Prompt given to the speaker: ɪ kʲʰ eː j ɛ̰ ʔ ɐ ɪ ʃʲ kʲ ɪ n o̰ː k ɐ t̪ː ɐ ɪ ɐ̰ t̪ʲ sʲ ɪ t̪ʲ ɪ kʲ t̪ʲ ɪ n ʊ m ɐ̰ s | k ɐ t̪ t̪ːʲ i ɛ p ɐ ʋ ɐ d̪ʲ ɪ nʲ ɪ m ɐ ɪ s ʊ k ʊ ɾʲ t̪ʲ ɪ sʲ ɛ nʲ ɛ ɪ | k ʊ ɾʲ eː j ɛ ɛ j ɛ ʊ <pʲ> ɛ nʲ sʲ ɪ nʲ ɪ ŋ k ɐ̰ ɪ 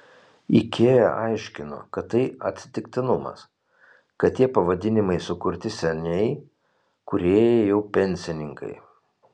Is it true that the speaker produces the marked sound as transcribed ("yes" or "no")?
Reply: yes